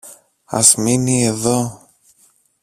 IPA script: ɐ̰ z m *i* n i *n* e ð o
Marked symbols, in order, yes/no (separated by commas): yes, no